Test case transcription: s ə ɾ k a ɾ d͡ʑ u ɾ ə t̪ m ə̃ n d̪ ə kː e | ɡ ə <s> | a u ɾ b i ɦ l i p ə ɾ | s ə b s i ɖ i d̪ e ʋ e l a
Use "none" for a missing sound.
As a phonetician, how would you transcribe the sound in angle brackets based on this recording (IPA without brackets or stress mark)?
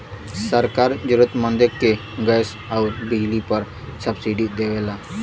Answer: s